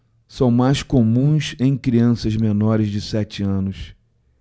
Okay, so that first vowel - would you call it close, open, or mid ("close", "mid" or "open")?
open